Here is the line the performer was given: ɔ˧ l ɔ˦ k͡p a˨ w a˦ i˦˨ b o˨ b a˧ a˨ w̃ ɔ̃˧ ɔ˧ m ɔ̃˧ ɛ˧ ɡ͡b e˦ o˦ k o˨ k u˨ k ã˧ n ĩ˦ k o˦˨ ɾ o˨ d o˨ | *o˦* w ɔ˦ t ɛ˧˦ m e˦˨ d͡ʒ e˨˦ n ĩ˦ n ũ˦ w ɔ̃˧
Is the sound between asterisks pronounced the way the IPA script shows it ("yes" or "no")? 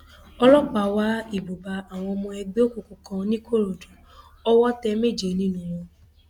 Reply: no